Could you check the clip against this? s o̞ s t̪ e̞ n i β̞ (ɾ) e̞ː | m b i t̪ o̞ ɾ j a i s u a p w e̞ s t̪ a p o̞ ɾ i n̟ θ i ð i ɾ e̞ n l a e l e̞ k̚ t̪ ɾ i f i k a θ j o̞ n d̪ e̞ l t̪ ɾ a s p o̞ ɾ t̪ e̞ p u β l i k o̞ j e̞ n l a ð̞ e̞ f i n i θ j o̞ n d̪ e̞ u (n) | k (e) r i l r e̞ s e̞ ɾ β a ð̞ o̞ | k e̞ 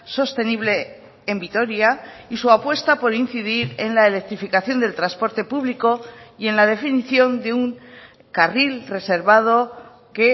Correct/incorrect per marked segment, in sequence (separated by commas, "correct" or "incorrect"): incorrect, incorrect, incorrect